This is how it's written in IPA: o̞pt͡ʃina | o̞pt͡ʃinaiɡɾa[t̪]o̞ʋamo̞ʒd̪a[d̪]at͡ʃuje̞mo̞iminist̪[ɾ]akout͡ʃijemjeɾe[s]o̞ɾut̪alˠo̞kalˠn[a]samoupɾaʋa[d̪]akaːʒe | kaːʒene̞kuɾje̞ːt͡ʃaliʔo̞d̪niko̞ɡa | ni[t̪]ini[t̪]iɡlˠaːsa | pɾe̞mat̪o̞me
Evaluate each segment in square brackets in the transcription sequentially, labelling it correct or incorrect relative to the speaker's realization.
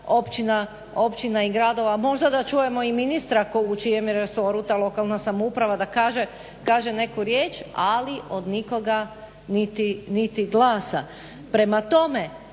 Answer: incorrect: d̪, correct, correct, correct, correct, correct, correct, correct

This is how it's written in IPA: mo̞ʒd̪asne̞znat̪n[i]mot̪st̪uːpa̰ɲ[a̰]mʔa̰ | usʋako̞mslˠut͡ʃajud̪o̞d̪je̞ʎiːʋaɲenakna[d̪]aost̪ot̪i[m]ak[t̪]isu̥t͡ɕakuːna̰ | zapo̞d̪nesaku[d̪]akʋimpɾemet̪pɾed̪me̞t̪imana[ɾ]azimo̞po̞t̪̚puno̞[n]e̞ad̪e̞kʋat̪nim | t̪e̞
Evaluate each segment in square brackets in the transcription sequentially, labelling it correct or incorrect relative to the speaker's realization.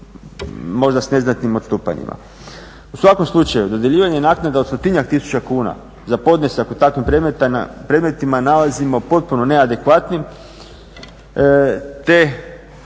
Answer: correct, incorrect: ḭ, correct, incorrect: ɲ, correct, incorrect: t̪, incorrect: l, correct

